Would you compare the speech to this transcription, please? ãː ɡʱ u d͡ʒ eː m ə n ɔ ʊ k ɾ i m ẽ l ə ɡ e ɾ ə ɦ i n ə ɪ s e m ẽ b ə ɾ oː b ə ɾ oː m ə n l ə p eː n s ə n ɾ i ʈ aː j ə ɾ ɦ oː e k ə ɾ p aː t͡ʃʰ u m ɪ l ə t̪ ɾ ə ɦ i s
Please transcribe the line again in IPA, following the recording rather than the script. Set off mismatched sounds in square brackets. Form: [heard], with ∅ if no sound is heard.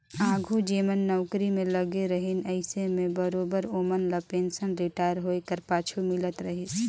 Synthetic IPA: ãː ɡʱ u d͡ʒ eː m ə [nː] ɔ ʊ k ɾ i m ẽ l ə ɡ e ɾ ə ɦ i n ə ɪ s e m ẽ b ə ɾ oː b ə ɾ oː m ə n l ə p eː n s ə n ɾ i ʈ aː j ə ɾ ɦ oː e k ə ɾ p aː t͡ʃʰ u m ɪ l ə t̪ ɾ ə ɦ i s